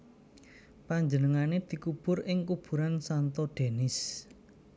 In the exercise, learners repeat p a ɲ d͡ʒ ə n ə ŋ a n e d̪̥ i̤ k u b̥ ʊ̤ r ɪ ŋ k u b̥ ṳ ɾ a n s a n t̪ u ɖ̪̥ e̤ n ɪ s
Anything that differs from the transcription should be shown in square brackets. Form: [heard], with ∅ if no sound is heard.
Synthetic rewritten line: p a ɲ d͡ʒ ə n ə ŋ a n e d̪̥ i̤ k u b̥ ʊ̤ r ɪ ŋ k u b̥ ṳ ɾ a n s a n t̪ [ɔ] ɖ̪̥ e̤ n ɪ s